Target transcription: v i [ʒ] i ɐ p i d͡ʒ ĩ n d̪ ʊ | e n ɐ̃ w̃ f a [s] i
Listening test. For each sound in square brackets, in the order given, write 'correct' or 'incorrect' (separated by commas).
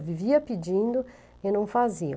incorrect, incorrect